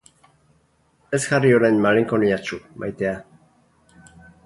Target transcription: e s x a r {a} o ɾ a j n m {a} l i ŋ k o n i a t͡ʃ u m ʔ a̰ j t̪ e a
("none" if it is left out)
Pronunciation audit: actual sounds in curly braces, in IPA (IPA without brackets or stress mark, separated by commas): i, a